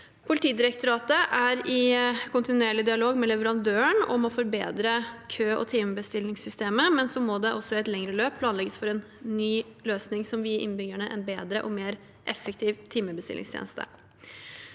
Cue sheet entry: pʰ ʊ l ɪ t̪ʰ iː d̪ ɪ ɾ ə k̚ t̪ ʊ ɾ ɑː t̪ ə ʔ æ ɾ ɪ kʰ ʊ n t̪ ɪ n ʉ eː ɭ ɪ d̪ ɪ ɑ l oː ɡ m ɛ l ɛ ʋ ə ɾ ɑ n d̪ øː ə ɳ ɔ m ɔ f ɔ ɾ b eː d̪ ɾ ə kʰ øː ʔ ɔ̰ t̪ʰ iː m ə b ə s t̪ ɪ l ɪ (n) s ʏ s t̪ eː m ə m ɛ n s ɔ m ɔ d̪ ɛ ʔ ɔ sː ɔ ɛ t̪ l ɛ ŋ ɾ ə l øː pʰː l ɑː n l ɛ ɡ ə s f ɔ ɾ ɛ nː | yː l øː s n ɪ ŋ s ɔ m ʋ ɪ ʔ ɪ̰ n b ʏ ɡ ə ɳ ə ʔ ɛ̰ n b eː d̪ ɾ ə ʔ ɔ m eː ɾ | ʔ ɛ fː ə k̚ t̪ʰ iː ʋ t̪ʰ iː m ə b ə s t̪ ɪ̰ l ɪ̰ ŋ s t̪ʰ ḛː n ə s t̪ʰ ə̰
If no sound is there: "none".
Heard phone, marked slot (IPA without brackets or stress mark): ŋ